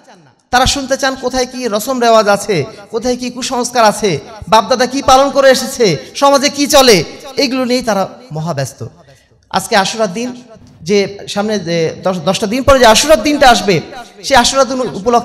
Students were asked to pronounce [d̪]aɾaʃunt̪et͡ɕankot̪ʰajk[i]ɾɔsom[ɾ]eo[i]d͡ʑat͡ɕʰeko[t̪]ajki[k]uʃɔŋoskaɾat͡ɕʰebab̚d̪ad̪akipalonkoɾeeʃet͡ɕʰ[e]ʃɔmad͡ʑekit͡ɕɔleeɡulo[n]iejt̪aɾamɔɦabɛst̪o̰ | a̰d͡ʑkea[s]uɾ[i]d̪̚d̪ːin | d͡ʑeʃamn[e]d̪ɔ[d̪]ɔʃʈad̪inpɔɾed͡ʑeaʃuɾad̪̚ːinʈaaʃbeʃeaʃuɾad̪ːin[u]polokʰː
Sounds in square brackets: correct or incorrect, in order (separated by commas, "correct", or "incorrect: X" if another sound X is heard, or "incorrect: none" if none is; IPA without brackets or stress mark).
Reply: incorrect: t̪, correct, correct, incorrect: a, incorrect: t̪ʰ, correct, correct, correct, incorrect: ʃ, incorrect: a, correct, correct, correct